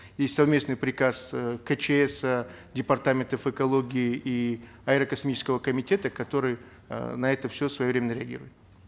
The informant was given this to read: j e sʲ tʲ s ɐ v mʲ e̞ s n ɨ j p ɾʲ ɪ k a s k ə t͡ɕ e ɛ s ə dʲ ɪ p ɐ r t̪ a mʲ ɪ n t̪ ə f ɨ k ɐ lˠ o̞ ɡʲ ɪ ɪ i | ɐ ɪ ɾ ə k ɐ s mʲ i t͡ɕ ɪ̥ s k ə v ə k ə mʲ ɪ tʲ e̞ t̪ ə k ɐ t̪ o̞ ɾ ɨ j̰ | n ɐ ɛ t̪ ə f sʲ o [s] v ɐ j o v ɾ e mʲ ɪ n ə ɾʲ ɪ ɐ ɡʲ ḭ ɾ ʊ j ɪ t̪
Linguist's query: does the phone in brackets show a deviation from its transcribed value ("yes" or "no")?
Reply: no